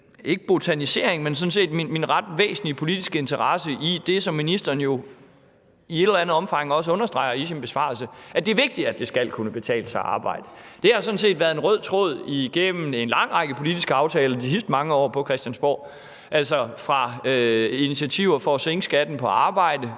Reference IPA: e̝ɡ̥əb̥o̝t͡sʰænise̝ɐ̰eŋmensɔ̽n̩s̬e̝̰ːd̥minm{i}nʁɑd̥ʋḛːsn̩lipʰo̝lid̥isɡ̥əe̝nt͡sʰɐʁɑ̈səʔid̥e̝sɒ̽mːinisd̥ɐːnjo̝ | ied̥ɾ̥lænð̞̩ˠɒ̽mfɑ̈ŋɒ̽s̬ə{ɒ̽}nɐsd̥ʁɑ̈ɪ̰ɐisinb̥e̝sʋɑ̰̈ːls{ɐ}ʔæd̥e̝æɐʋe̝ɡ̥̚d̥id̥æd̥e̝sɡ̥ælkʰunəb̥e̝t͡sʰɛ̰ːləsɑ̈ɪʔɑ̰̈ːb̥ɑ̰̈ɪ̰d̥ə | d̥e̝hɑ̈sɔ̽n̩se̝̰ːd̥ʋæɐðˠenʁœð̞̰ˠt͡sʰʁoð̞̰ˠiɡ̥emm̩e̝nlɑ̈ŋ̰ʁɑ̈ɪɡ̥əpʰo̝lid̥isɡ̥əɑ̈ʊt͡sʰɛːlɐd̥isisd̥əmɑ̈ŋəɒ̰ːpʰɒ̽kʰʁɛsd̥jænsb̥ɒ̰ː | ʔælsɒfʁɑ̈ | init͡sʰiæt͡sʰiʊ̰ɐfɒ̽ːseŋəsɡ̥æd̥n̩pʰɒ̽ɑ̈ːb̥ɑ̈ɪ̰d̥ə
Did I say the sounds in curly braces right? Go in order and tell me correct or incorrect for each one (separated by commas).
correct, incorrect, incorrect